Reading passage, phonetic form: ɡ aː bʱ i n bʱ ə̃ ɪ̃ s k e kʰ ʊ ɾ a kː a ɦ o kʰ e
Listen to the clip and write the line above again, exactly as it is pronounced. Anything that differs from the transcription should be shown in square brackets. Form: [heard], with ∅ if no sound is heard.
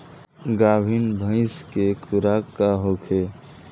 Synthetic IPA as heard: ɡ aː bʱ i n bʱ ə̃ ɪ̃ s k e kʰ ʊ ɾ a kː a ɦ o kʰ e